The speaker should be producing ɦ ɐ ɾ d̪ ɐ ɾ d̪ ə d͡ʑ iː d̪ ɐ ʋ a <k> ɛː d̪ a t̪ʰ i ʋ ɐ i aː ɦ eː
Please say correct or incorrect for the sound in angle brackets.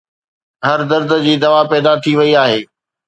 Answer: incorrect